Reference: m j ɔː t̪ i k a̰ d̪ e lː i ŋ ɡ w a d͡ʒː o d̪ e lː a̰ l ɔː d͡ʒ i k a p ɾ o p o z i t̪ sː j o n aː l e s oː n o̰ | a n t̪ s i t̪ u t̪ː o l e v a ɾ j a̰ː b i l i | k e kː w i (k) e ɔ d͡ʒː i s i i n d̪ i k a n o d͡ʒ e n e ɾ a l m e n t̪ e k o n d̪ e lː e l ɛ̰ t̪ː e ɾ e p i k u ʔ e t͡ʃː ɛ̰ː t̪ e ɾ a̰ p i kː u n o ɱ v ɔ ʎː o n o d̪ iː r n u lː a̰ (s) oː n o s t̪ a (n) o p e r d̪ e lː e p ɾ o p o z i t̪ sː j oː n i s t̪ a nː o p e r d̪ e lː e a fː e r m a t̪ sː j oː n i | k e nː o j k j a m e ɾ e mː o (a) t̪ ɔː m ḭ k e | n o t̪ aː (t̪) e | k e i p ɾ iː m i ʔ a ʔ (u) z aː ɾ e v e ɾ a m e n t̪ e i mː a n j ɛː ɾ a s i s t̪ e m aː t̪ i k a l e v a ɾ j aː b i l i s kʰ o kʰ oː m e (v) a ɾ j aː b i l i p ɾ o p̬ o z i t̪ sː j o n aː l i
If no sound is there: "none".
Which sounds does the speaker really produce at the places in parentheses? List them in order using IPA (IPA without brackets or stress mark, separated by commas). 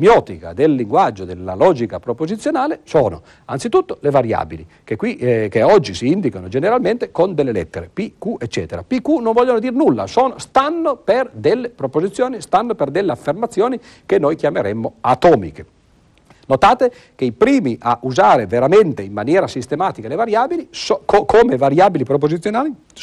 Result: k, s, nː, a, t̪, u, v